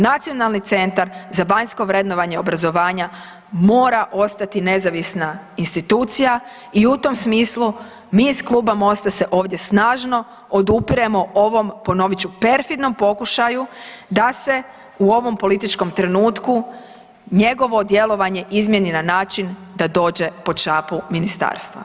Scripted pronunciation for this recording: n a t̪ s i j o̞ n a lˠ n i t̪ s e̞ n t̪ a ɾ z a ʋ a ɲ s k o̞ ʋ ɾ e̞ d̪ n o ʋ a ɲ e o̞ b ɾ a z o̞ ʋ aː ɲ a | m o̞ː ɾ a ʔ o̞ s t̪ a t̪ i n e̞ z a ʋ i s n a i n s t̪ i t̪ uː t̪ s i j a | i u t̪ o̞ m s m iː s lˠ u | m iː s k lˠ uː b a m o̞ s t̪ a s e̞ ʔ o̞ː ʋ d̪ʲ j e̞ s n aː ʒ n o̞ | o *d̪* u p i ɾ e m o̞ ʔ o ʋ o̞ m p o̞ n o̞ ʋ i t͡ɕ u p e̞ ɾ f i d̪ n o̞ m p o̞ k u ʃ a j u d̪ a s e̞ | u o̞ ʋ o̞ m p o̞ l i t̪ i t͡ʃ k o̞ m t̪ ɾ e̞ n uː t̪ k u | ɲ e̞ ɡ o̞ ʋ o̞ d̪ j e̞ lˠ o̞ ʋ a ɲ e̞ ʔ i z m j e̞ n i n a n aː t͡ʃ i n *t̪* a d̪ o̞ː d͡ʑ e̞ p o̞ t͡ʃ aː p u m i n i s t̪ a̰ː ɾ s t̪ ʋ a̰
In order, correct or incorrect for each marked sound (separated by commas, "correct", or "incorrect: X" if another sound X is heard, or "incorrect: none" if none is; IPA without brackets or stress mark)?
correct, incorrect: d̪